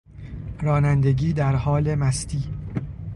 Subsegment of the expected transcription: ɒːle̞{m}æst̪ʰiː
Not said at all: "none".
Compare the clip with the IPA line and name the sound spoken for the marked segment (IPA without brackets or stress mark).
m